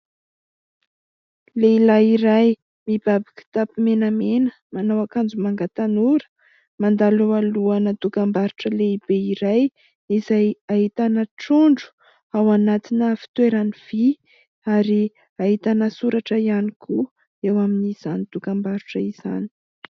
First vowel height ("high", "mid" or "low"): mid